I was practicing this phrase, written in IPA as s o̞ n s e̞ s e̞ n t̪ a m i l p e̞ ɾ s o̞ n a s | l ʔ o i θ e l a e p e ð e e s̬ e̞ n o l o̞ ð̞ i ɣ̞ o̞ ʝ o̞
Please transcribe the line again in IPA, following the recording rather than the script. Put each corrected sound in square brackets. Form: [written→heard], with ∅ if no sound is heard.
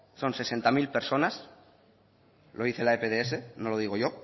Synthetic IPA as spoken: s o̞ n s e̞ s e̞ n t̪ a m i l p e̞ ɾ s o̞ n a s | l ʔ o i θ e l a e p e ð e e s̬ e̞ n o l o̞ ð̞ i ɣ̞ o̞ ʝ o̞